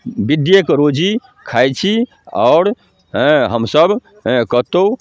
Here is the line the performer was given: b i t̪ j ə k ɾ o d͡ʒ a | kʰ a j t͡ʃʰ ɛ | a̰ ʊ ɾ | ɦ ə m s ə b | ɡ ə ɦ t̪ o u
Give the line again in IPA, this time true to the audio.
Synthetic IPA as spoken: b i d̪ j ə k ɾ o d͡ʒ i | kʰ a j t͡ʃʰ i | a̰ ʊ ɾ | ɦ ə m s ə b | k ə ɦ t̪ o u